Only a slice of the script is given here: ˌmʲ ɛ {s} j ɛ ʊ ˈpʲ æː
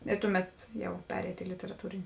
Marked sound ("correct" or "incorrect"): incorrect